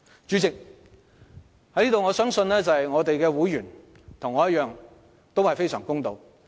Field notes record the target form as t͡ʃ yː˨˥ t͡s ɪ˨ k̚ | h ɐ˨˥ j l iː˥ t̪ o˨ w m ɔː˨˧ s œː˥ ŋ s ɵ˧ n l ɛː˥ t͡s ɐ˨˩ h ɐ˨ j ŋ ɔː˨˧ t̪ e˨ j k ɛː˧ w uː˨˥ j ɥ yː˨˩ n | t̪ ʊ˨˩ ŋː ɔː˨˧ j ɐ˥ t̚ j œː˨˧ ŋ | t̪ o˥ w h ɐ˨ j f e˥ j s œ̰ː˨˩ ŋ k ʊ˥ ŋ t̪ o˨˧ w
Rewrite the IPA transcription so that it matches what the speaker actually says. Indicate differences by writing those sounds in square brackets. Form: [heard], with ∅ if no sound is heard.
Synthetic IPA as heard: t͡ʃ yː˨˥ t͡s ɪ˨ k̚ | h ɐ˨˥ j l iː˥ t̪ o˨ w [ŋ] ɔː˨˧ s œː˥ ŋ s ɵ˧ n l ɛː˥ t͡s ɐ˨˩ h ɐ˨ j ŋ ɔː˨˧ t̪ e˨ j k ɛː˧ w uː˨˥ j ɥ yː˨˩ n | [t̪ʰ] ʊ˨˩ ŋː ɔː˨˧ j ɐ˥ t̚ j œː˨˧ ŋ | t̪ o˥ w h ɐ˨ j f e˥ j s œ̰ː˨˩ ŋ k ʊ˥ ŋ t̪ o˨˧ w

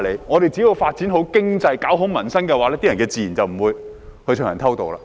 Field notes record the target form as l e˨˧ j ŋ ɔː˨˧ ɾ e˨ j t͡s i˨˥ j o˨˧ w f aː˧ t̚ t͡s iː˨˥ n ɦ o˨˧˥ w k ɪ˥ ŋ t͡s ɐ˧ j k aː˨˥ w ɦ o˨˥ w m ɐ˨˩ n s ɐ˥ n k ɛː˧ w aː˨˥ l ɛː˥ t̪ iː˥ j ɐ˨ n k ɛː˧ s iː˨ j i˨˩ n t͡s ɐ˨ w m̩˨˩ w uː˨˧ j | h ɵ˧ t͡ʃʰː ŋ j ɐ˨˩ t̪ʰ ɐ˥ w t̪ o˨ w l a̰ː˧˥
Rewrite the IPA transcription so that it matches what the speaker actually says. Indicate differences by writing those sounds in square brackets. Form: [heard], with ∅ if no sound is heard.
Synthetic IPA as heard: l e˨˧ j ŋ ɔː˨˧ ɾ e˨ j t͡s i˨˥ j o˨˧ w f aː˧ t̚ t͡s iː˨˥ n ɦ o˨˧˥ w k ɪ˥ ŋ t͡s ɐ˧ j k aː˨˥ w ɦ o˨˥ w m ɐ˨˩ n s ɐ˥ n k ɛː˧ w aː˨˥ l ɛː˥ t̪ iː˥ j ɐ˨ n k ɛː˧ [t͡s] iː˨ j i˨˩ n t͡s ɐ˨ w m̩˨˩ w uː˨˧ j | h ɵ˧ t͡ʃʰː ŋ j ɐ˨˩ t̪ʰ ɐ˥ w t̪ o˨ w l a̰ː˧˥

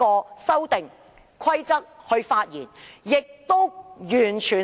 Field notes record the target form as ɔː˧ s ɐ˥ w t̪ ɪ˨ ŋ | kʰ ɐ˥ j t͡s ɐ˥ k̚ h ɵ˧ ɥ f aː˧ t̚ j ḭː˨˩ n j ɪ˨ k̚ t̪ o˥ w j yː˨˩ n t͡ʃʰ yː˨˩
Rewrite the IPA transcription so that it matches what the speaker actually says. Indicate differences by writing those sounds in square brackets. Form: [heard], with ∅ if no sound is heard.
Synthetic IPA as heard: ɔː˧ s ɐ˥ w t̪ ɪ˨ ŋ | kʰ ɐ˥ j t͡s ɐ˥ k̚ h ɵ˧ ɥ f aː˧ t̚ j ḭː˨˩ n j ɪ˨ k̚ t̪ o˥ w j yː˨˩ n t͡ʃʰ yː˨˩

